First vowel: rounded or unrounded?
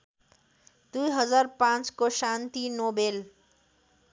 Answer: rounded